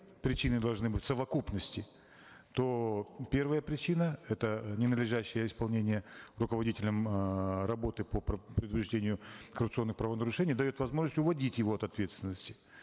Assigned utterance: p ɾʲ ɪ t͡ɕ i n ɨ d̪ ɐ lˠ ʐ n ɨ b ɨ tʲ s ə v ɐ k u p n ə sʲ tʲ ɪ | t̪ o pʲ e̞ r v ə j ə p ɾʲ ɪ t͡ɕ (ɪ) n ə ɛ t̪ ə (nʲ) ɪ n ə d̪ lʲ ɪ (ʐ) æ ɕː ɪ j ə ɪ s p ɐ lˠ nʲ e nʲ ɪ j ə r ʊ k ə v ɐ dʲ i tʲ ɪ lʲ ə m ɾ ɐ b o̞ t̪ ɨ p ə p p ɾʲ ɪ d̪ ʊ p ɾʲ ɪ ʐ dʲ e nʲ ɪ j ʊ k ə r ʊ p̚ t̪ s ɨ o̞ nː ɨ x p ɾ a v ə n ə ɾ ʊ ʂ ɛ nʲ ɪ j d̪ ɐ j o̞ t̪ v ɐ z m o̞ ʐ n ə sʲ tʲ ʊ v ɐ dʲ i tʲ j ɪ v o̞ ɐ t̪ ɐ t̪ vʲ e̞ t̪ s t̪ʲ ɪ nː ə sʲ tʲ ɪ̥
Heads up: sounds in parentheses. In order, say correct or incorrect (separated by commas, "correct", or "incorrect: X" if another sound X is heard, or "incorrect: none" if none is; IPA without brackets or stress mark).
incorrect: i, correct, correct